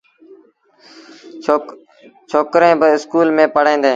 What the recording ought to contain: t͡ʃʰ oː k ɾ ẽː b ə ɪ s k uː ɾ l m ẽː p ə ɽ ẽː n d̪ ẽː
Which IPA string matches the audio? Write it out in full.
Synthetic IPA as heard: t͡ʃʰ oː k ɾ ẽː b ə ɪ s k uː l m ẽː p ə ɽ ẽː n d̪ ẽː

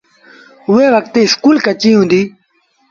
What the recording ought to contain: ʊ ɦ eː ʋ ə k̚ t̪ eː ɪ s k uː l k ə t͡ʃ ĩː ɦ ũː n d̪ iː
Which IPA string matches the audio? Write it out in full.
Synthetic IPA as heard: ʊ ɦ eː ʋ ə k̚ t̪ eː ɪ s k uː l k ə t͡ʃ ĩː ɦ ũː n d̪ iː

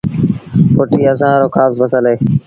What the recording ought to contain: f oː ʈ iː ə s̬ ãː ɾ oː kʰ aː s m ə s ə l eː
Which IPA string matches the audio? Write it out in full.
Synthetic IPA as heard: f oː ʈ iː ə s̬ ãː ɾ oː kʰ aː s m ə s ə l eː

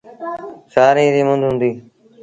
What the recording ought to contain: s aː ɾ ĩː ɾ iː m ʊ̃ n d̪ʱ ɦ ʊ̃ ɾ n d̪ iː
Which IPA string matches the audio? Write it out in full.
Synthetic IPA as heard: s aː ɾ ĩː ɾ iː m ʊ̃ n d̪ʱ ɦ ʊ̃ n d̪ iː

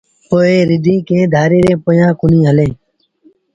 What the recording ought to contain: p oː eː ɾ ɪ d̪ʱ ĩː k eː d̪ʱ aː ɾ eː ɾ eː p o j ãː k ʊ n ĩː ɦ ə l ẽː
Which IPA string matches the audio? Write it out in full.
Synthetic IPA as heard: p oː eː ɾ ɪ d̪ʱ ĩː k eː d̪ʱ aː ɾ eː ɾ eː p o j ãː k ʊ n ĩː ɦ ə l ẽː

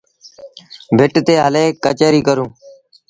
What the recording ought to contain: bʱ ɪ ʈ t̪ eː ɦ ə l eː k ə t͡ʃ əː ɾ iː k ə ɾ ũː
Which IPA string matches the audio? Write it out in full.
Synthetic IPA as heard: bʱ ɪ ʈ t̪ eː ɦ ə l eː k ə t͡ʃ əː ɾ iː k ə ɾ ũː

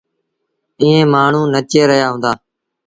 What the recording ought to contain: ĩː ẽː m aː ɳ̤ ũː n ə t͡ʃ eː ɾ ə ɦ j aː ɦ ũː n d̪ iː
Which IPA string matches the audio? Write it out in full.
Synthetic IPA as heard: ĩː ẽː m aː ɳ̤ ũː n ə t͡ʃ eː ɾ ə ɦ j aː ɦ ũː n d̪ aː

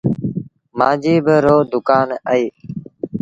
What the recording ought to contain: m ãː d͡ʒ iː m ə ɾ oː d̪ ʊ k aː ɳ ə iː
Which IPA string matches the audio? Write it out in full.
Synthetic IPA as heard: m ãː d͡ʒ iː b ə ɾ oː d̪ ʊ k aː n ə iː

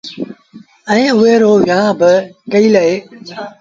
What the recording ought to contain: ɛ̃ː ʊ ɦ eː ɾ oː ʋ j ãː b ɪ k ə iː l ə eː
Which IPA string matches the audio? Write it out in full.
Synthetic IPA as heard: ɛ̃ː ʊ ɦ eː ɾ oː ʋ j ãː b ɪ k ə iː l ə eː

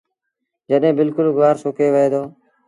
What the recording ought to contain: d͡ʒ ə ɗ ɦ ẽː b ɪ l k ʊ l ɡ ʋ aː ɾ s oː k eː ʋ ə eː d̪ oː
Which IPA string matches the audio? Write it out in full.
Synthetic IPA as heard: d͡ʒ ə ɗ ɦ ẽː b ɪ l k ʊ l ɡ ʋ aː ɾ s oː k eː ʋ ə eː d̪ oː

